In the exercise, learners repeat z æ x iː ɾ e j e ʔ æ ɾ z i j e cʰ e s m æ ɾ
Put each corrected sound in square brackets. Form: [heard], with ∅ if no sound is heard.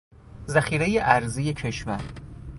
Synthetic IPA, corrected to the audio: z æ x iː ɾ e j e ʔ æ ɾ z i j e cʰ e [ʃ] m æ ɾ

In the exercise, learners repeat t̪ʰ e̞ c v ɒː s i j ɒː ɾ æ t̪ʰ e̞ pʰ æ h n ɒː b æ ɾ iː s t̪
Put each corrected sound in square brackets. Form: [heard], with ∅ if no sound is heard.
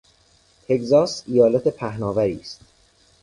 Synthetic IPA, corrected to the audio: t̪ʰ e̞ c [z] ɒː s i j ɒː [l] æ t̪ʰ e̞ pʰ æ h n ɒː [v] æ ɾ iː s t̪

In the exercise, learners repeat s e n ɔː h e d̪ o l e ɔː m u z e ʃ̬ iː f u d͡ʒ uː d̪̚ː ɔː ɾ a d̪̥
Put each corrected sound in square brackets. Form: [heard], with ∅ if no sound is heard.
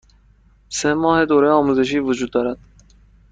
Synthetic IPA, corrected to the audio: s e [m] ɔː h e d̪ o [ɾ] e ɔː m u z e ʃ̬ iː [v] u d͡ʒ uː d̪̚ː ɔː ɾ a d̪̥

